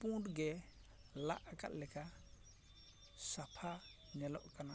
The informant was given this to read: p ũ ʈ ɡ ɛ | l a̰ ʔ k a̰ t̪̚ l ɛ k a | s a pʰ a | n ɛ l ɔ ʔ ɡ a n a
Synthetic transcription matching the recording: p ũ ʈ ɡ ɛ | l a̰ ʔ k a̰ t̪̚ l ɛ k a | s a pʰ a | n ɛ l ɔ ʔ k a n a